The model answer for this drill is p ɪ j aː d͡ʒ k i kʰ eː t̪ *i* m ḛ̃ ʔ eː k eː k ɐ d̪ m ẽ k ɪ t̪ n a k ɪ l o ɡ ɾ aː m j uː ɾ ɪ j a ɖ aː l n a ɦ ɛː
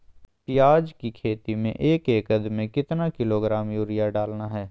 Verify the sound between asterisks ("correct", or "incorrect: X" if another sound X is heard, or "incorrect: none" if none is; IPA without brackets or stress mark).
correct